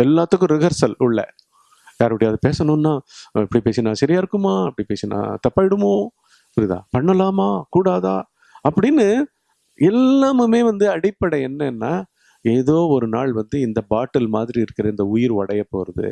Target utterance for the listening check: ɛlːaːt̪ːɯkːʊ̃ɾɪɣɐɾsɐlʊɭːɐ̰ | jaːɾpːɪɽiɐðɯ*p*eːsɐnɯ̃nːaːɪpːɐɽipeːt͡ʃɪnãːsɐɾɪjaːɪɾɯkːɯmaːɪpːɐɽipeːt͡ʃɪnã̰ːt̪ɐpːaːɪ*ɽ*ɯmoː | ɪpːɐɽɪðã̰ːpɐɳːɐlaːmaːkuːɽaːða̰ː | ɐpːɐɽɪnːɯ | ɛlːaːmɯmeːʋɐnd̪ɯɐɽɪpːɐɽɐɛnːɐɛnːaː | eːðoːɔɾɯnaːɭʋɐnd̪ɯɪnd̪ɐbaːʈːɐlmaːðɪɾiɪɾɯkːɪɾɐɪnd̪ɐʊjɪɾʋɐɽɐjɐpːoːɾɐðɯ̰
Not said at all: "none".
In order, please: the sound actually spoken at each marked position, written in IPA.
p, ɽ

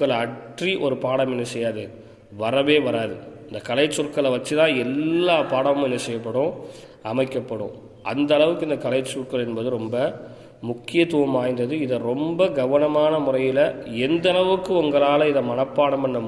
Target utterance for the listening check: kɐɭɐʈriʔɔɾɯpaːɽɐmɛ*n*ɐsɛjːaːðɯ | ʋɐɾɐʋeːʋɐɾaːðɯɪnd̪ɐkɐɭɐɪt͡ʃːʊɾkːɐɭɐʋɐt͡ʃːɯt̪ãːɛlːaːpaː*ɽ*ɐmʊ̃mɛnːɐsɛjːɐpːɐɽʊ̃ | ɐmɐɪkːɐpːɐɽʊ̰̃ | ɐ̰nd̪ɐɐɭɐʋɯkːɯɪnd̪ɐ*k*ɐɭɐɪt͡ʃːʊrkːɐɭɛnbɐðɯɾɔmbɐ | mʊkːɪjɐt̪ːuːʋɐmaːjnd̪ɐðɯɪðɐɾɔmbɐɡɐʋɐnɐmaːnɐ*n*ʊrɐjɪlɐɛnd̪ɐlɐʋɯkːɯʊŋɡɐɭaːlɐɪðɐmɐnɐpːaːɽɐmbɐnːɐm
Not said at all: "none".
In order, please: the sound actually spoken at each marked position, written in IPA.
nː, ɽ, k, m

